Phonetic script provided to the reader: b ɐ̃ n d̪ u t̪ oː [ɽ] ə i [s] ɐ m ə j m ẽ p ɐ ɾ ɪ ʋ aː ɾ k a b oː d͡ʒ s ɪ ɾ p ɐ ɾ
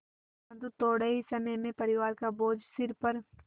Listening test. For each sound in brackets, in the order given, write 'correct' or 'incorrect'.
correct, correct

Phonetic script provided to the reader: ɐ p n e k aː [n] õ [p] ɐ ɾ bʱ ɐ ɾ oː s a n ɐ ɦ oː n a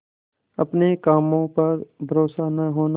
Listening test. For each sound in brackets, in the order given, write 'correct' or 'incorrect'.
incorrect, correct

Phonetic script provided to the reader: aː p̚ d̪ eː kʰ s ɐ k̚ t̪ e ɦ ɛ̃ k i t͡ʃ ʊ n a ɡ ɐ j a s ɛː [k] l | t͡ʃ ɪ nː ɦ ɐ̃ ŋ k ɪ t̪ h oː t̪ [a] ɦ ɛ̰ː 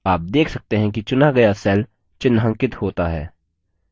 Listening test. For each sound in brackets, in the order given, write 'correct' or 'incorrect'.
incorrect, correct

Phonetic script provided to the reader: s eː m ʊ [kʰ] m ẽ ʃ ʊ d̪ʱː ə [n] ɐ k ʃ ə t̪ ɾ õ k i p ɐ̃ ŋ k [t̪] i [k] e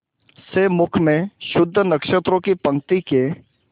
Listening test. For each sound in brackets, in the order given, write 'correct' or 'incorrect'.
correct, correct, correct, correct

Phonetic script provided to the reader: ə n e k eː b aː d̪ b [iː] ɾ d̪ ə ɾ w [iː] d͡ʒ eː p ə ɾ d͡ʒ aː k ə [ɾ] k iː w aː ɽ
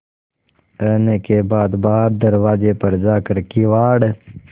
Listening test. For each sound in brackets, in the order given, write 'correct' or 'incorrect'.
incorrect, incorrect, correct

